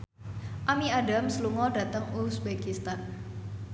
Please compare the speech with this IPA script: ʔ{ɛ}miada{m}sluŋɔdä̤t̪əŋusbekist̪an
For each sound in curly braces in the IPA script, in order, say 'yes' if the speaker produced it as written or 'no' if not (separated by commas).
no, yes